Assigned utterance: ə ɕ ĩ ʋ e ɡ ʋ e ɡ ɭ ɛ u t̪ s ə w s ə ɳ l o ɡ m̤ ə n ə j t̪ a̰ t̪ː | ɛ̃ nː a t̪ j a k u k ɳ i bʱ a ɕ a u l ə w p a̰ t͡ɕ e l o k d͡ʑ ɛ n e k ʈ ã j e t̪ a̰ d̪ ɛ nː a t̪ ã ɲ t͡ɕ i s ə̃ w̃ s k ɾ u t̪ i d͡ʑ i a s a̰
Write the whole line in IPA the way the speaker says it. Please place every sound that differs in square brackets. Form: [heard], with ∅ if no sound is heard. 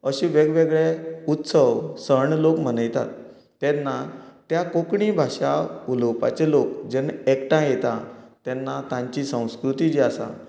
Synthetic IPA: ə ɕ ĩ ʋ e ɡ ʋ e ɡ ɭ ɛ u t̪ s ə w s ə ɳ l o [k] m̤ ə n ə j t̪ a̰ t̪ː | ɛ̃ nː a t̪ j a k [o] k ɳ i bʱ a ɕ a u l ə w p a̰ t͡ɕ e l o k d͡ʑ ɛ n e k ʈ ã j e t̪ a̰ [t̪] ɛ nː a t̪ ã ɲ t͡ɕ i s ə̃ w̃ s k ɾ u t̪ i d͡ʑ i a s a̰